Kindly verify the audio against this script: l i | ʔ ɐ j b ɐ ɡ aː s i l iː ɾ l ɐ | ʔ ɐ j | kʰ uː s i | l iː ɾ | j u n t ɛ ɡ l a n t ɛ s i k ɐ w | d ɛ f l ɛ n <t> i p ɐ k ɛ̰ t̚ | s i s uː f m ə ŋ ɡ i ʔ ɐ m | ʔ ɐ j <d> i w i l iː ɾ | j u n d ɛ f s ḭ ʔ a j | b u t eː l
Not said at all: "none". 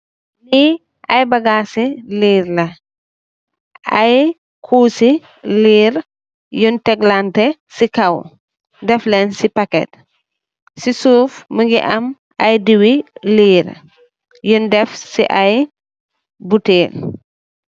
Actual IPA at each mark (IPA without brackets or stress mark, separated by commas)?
s, d